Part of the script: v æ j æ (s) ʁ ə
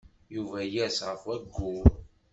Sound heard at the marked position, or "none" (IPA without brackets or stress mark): s